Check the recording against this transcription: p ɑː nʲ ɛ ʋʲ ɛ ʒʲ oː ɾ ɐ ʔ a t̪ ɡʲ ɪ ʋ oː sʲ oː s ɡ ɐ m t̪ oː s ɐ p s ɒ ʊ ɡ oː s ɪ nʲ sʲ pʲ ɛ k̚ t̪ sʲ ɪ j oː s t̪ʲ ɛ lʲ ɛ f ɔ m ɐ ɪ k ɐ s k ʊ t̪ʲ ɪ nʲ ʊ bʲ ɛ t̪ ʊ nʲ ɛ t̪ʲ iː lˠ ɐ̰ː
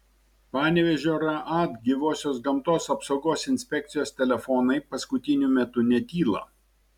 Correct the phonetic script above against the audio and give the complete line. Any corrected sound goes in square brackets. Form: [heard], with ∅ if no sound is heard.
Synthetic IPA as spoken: p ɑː nʲ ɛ ʋʲ ɛ ʒʲ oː ɾ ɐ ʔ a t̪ ɡʲ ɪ ʋ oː sʲ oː s ɡ ɐ m t̪ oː s ɐ p s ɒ ʊ ɡ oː s ɪ nʲ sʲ pʲ ɛ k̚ t̪ sʲ ɪ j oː s t̪ʲ ɛ lʲ ɛ f ɔ [n] ɐ ɪ [p] ɐ s k ʊ t̪ʲ ɪ nʲ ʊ [mʲ] ɛ t̪ ʊ nʲ ɛ t̪ʲ iː lˠ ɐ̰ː